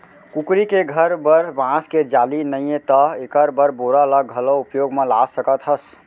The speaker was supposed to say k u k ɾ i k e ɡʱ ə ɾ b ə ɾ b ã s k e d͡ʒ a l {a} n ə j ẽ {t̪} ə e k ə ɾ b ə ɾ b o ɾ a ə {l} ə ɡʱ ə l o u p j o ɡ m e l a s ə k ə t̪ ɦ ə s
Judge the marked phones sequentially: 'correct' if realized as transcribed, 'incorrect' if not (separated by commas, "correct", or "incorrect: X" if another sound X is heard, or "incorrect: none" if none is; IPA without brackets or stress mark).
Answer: incorrect: i, correct, correct